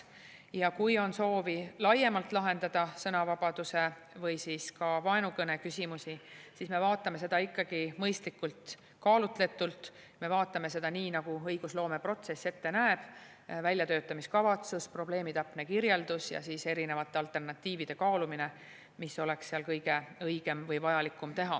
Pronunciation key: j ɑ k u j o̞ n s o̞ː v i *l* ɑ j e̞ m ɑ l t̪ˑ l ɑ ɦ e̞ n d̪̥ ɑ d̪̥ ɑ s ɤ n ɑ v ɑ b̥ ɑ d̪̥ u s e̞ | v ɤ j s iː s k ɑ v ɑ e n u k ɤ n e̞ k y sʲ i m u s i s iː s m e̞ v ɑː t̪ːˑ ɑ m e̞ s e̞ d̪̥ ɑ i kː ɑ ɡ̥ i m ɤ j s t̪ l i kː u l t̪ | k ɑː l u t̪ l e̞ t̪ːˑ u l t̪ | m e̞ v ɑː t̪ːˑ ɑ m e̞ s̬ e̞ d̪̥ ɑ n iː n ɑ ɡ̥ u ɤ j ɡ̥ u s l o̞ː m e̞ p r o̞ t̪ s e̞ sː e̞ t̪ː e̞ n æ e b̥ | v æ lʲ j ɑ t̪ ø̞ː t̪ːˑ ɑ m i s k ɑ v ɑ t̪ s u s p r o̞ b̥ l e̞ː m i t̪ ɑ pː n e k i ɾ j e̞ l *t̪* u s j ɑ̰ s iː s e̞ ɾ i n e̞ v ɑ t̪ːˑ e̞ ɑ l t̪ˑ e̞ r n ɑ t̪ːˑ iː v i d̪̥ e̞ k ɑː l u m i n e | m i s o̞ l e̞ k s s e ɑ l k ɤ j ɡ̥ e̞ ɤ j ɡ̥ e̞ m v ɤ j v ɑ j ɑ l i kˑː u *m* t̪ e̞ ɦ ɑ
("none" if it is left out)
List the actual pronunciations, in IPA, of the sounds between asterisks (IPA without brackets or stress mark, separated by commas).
l, d̪, m